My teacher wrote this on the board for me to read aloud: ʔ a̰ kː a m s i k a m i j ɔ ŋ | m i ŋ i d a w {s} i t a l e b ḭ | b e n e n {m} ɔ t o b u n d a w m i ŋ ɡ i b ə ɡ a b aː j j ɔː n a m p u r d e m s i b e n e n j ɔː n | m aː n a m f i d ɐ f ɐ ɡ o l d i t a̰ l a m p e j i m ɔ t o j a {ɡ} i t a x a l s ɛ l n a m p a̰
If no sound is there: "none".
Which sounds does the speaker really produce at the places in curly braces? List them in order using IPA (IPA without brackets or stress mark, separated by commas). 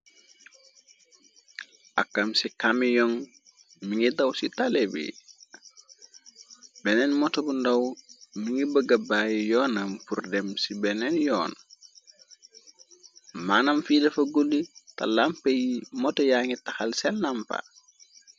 s, m, ŋ